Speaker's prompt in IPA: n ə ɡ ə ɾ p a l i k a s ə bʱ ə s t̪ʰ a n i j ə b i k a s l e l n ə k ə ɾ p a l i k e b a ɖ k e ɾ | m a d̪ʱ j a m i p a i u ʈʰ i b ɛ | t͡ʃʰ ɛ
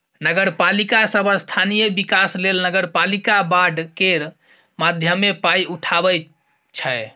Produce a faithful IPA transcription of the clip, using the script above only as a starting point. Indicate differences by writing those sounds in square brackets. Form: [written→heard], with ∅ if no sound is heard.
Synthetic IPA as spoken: n ə ɡ ə ɾ p a l i k a s ə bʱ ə s t̪ʰ a n i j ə b i k a s l e l n ə [k→ɡ] ə ɾ p a l i k [e→a] b a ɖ k e ɾ | m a d̪ʱ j [a→ə] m [i→e] p a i u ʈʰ [i→a] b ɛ | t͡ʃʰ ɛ

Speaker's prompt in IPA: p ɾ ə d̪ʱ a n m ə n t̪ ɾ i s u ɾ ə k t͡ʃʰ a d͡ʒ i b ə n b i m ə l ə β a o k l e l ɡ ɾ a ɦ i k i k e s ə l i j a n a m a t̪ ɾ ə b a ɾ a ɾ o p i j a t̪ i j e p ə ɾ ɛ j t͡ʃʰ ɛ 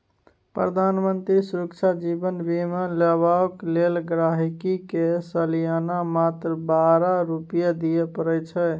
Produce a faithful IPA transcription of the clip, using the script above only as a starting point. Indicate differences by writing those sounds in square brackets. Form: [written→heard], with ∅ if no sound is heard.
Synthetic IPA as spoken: p ɾ ə d̪ʱ a n m ə n t̪ ɾ i s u ɾ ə k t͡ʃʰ a d͡ʒ i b ə n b i m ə l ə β a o k l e l ɡ ɾ a ɦ i k i k e s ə l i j a n a m a t̪ ɾ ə b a ɾ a ɾ [o→u] p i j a [t̪→d̪] i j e p ə ɾ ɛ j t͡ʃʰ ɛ

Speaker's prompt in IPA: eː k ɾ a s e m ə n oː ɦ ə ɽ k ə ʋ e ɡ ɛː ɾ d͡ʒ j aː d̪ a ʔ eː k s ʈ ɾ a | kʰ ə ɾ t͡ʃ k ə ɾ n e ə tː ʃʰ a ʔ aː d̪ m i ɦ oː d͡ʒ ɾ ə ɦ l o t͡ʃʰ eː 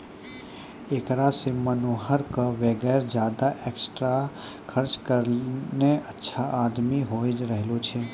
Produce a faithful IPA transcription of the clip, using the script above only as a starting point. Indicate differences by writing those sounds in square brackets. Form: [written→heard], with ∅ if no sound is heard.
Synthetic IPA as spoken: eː k ɾ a s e m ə n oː ɦ ə [ɽ→ɾ] k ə ʋ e ɡ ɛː ɾ d͡ʒ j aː d̪ a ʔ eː k s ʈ ɾ a | kʰ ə ɾ t͡ʃ k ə ɾ n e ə tː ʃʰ a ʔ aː d̪ m i ɦ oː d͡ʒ ɾ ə ɦ l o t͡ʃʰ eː

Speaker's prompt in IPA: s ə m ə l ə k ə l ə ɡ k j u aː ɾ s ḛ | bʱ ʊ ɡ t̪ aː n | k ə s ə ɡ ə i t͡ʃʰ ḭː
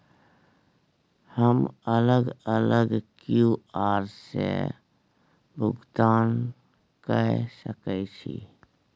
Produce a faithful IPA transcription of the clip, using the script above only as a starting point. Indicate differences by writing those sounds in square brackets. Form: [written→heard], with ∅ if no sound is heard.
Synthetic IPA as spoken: [s→h] ə m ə l ə [k→ɡ] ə l ə ɡ k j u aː ɾ s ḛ | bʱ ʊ ɡ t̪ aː n | k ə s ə [ɡ→k] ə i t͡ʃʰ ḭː

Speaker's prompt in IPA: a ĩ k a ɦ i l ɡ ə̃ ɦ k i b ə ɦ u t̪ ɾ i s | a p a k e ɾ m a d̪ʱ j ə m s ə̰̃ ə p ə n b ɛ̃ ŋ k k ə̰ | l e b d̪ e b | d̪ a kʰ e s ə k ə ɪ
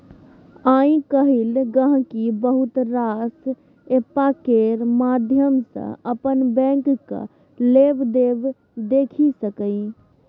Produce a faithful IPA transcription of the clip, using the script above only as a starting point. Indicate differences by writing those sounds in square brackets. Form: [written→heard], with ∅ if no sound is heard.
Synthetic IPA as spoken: a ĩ k [a→ə] ɦ i l ɡ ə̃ ɦ k i b ə ɦ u t̪ ɾ [i→a] s | [a→e] p a k e ɾ m a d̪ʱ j ə m s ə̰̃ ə p ə n b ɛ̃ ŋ k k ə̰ | l e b d̪ e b | d̪ [a→e] kʰ [e→i] s ə k ə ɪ

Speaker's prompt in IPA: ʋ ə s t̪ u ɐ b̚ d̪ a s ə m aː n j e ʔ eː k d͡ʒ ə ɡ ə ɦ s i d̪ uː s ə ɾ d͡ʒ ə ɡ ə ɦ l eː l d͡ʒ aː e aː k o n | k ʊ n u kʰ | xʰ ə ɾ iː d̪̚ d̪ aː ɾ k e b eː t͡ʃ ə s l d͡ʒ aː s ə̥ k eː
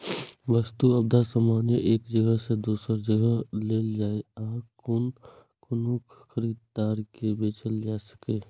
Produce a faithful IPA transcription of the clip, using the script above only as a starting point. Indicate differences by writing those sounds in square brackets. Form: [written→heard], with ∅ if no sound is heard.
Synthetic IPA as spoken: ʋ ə s t̪ u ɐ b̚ d̪ a s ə m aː n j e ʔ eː k d͡ʒ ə ɡ ə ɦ s [i→e] d̪ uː s ə ɾ d͡ʒ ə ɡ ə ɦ l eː l d͡ʒ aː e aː k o n | k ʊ n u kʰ | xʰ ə ɾ iː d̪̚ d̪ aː ɾ k e b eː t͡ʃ ə [s→∅] l d͡ʒ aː s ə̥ k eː

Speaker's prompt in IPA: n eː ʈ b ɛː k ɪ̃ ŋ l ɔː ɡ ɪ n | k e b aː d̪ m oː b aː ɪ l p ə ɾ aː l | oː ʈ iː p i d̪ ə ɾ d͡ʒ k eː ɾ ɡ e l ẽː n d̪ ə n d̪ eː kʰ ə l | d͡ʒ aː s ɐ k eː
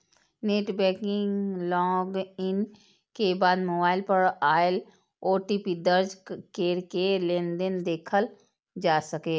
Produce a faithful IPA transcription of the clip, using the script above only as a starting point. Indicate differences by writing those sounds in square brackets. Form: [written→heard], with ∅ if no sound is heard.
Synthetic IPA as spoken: n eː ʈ b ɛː k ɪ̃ ŋ l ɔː ɡ ɪ n | k e b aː d̪ m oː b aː ɪ l p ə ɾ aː l | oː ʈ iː p i d̪ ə ɾ d͡ʒ k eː ɾ [ɡ→k] e l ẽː n d̪ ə n d̪ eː kʰ ə l | d͡ʒ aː s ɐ k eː

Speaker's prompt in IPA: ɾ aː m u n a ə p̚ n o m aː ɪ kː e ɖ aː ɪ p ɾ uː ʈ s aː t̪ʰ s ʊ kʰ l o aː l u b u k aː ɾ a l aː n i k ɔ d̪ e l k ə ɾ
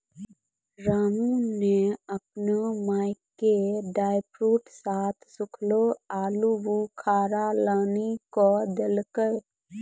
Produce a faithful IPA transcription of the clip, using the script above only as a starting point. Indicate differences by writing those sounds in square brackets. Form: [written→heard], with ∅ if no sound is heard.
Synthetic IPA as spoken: ɾ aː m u n [a→e] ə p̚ n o m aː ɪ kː e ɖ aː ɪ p ɾ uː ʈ s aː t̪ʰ s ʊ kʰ l o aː l u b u [k→kʰ] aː ɾ a l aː n i k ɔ d̪ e l k ə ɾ

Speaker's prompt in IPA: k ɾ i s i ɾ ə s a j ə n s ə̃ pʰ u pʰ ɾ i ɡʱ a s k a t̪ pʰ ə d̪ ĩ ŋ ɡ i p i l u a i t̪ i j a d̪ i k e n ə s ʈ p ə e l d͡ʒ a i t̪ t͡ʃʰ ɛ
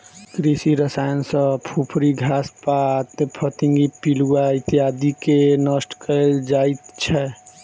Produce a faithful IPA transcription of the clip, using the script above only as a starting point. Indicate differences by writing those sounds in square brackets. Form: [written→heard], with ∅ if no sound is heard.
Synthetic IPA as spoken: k ɾ i s i ɾ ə s a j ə n s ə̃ pʰ u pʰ ɾ i ɡʱ a s [k→p] a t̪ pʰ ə [d̪→t̪] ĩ ŋ ɡ i p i l u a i t̪ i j a d̪ i k e n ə s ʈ [p→k] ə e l d͡ʒ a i t̪ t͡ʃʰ ɛ

